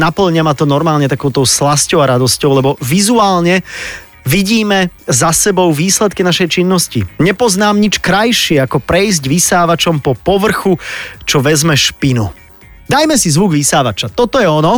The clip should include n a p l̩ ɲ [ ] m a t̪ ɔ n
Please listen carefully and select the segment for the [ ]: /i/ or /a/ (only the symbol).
a